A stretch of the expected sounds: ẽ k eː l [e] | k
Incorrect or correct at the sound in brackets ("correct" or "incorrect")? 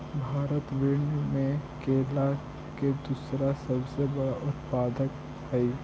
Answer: incorrect